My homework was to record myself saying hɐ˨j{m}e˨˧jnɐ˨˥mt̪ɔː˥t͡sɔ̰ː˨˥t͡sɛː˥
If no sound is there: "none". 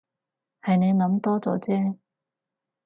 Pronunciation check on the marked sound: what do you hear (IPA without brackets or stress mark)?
n